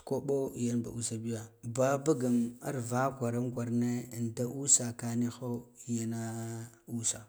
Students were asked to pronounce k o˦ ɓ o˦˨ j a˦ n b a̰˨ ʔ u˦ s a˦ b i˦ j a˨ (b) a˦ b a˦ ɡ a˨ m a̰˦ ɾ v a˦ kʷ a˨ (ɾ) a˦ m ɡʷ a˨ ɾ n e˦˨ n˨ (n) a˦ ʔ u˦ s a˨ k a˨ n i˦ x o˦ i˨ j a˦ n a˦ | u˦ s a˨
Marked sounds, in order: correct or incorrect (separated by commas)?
correct, correct, incorrect